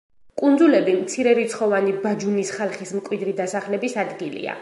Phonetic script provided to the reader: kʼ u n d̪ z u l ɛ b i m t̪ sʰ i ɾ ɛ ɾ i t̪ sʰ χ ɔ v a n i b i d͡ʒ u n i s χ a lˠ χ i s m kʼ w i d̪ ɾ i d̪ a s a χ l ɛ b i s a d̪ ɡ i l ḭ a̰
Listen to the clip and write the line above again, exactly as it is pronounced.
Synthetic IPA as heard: kʼ u n d̪ z u l ɛ b i m t̪ sʰ i ɾ ɛ ɾ i t̪ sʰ χ ɔ v a n i b a d͡ʒ u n i s χ a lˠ χ i s m kʼ w i d̪ ɾ i d̪ a s a χ l ɛ b i s a d̪ ɡ i l ḭ a̰